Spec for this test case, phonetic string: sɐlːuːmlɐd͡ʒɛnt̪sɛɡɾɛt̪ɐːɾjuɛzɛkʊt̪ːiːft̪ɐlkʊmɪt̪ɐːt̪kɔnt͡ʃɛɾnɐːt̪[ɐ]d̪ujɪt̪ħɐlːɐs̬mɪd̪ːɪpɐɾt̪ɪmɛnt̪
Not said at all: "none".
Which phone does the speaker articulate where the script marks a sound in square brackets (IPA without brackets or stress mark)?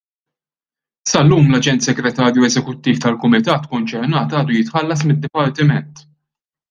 ɐː